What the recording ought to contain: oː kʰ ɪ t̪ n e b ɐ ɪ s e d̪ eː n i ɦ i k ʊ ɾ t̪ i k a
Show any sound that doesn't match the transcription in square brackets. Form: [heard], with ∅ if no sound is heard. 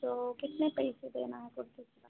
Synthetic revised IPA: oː [k] ɪ t̪ n e [p] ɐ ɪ s e d̪ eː n [a] ɦ [ɛ] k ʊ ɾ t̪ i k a